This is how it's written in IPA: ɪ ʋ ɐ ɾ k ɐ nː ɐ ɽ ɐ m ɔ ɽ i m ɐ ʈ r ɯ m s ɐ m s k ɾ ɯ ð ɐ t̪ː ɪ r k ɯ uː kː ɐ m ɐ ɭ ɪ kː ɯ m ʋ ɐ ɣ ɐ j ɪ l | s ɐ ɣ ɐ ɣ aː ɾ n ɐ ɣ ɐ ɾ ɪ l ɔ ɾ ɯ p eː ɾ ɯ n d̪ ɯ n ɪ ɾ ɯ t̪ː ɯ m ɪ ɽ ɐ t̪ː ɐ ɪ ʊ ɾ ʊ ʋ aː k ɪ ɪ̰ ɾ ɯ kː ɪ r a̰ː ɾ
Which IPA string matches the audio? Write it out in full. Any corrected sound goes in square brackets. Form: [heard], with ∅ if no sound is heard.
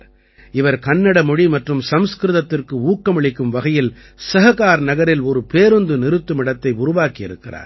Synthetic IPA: ɪ ʋ ɐ ɾ k ɐ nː ɐ ɽ ɐ m ɔ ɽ i m ɐ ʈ r ɯ m s ɐ m s k ɾ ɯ ð ɐ t̪ː ɪ r k ɯ uː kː ɐ m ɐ ɭ ɪ kː ɯ m ʋ ɐ ɣ ɐ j ɪ l | s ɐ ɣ ɐ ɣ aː ɾ n ɐ ɣ ɐ ɾ ɪ l ɔ ɾ ɯ p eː ɾ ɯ n d̪ ɯ n ɪ ɾ ɯ t̪ː ɯ m ɪ ɽ ɐ t̪ː ɐ ɪ ʊ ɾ ʊ ʋ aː k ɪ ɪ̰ ɾ ɯ kː ɪ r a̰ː ɾ